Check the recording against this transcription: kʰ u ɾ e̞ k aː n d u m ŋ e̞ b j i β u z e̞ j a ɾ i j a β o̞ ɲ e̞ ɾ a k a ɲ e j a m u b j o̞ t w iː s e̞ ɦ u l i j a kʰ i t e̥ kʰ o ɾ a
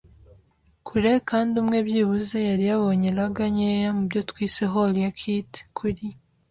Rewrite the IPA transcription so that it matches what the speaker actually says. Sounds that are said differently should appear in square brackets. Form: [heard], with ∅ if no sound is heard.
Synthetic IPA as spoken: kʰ u ɾ e̞ k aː n d u m ŋ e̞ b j i β u z e̞ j a ɾ i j a β o̞ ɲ e̞ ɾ a [ɡ] a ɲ e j a m u b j o̞ t w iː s e̞ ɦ [o] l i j a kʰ i t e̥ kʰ [u] ɾ [i]